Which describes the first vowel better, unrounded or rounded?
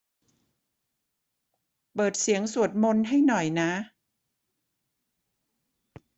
unrounded